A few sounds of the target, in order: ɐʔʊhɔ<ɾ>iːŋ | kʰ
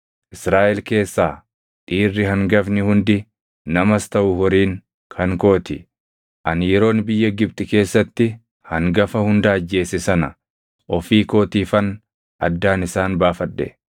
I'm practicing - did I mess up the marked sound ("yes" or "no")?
no